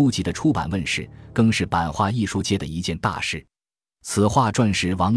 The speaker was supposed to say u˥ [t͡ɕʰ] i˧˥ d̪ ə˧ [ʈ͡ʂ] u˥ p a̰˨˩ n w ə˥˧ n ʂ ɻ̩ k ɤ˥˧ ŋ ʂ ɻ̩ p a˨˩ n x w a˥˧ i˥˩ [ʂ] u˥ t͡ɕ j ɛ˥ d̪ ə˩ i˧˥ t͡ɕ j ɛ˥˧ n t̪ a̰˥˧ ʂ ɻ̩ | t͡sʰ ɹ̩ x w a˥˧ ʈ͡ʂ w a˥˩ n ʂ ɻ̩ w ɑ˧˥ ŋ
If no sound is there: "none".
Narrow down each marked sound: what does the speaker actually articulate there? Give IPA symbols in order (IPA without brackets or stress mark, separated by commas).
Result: t͡ɕ, ʈ͡ʂʰ, ʂ